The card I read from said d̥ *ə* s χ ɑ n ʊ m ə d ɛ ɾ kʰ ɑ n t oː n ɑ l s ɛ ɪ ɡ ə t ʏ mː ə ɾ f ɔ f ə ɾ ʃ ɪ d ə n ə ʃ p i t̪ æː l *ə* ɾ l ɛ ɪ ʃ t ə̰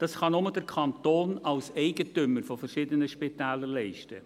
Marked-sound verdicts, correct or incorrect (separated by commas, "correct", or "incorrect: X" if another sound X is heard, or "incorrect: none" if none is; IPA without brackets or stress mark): incorrect: ɑ, correct